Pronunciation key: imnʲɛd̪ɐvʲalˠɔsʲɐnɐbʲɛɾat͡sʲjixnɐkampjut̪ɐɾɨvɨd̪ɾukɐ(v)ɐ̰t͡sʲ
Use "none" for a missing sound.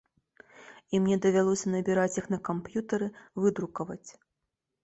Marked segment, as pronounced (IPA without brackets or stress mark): v